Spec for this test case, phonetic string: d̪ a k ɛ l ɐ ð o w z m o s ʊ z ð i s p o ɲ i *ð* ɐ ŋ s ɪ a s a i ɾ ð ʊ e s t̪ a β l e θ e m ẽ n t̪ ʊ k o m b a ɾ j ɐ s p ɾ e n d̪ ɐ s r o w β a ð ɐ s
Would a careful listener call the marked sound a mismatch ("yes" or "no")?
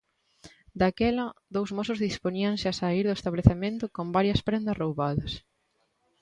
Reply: yes